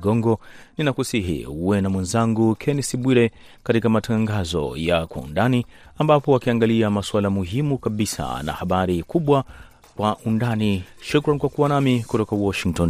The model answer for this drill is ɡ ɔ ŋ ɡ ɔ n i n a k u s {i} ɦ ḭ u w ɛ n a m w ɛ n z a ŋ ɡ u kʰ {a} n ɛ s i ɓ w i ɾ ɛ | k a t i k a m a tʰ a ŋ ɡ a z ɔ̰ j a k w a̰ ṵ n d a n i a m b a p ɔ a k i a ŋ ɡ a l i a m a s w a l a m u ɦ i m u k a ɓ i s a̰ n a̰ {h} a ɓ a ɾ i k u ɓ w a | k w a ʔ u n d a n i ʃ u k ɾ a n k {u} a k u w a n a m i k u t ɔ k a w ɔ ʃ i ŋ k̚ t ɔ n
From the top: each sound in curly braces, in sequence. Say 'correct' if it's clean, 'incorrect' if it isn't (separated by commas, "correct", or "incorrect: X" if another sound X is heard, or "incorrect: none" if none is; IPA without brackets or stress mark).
correct, incorrect: ɛ, correct, incorrect: w